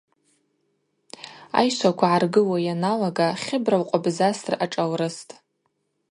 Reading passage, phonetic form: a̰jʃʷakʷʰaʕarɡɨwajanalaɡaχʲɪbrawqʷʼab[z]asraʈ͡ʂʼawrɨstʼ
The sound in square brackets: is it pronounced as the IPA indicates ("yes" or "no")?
yes